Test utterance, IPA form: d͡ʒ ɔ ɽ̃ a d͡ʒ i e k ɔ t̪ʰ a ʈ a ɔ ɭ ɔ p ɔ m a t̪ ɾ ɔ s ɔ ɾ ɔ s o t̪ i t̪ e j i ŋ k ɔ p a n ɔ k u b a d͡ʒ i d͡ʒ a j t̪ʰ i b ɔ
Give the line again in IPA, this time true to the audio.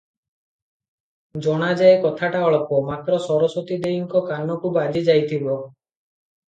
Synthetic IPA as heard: d͡ʒ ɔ ɽ̃ a d͡ʒ a e k ɔ t̪ʰ a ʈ a ɔ ɭ ɔ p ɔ m a t̪ ɾ ɔ s ɔ ɾ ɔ s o t̪ i d̪ e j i ŋ k ɔ k a n ɔ k u b a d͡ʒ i d͡ʒ a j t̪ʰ i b ɔ

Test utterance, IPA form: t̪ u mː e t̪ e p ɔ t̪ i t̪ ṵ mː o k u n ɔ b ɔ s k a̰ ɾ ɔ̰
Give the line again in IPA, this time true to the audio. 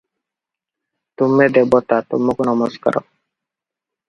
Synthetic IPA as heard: t̪ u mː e d̪ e b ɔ t̪ a t̪ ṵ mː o k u n ɔ m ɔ s k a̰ ɾ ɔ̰

